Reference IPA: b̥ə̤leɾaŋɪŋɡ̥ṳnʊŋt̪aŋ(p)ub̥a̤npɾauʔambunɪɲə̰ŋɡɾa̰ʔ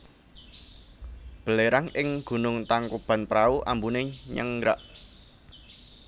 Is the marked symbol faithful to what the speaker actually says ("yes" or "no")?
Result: no